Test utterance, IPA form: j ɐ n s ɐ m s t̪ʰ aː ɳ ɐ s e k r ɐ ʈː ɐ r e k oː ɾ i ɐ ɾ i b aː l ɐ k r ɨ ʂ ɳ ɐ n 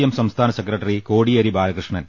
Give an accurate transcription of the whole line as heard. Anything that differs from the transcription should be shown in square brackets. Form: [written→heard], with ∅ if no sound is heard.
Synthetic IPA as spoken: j ɐ [n→m] s ɐ m s t̪ʰ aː [ɳ→n] ɐ s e k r ɐ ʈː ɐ r [e→i] k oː [ɾ→ɽ] i ɐ ɾ i b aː l ɐ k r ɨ ʂ ɳ ɐ n